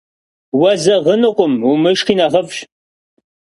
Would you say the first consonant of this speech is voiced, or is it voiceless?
voiced